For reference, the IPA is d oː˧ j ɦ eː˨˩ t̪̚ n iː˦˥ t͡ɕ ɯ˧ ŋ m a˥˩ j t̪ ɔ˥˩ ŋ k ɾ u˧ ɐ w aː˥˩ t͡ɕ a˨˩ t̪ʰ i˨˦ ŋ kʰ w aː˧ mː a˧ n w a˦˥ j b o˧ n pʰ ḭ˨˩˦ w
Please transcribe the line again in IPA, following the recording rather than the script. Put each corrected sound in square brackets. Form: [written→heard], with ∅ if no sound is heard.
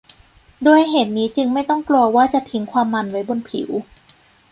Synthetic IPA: d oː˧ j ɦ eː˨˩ t̪̚ n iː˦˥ t͡ɕ ɯ˧ ŋ m a˥˩ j t̪ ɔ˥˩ ŋ k [ɾ→l] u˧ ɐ w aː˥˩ t͡ɕ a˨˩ t̪ʰ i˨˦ ŋ kʰ w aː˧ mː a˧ n w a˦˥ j b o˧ n pʰ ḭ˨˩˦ w